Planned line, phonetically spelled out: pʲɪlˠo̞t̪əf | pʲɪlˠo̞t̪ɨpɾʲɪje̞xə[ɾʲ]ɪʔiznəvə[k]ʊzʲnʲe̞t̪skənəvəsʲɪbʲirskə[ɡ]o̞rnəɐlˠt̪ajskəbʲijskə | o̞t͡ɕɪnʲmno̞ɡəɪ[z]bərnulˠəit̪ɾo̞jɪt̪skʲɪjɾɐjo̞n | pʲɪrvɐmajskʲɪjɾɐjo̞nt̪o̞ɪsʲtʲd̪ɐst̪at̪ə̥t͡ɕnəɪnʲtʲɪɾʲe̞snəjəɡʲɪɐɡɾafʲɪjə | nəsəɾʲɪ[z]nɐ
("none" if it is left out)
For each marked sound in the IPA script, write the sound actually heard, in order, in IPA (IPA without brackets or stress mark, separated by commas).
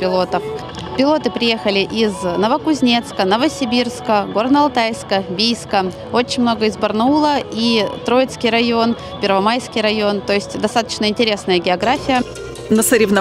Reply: lʲ, k, ɡ, z, v